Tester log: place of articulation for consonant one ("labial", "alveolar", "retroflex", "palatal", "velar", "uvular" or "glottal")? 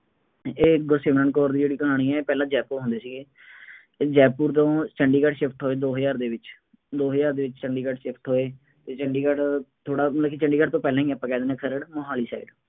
velar